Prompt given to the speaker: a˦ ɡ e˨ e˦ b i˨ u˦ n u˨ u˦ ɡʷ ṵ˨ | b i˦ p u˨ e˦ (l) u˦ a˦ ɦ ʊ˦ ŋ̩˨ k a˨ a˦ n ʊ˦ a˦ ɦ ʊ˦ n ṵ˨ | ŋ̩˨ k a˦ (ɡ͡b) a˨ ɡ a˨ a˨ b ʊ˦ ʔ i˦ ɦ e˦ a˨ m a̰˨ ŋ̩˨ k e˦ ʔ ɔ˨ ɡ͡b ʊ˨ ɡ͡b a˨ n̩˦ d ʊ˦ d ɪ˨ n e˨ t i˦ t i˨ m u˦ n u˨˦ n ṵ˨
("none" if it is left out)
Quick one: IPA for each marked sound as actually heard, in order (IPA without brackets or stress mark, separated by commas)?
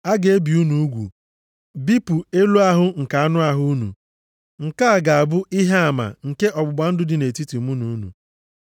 l, none